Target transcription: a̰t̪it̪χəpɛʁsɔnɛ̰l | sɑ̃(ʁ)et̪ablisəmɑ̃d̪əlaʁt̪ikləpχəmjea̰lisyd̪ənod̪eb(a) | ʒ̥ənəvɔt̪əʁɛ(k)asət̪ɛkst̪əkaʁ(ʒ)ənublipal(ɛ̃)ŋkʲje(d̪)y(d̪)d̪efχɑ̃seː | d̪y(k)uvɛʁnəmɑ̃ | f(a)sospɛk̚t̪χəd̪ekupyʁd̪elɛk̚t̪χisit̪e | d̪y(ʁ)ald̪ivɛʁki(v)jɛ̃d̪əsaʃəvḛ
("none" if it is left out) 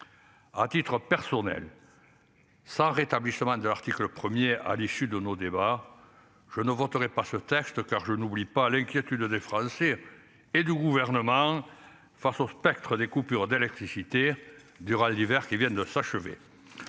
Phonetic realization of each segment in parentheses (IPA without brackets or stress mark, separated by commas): ʁ, a, p, ʒ, ɛ̃, t̪, d̪, ɡ, a, ʁ, v